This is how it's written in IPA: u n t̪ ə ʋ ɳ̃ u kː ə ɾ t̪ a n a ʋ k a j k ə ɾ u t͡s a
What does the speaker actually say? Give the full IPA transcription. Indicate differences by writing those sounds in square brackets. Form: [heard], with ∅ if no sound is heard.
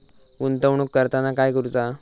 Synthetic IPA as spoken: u n t̪ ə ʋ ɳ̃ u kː ə ɾ t̪ a n a [∅] k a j k ə ɾ u t͡s a